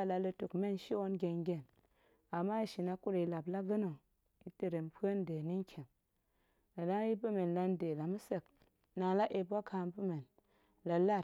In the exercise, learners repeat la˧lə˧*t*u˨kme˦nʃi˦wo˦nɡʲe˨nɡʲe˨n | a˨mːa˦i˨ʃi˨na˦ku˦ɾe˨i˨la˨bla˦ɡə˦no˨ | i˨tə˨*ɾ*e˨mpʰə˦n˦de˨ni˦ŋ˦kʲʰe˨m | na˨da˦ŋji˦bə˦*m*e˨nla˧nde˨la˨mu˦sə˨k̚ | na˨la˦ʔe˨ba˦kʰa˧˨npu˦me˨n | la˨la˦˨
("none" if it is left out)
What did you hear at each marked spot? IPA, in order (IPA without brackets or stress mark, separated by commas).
t, ɾ, m